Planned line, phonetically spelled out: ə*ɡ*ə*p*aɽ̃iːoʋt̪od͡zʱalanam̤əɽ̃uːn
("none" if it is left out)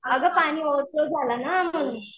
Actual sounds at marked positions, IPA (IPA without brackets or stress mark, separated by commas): ɡ, p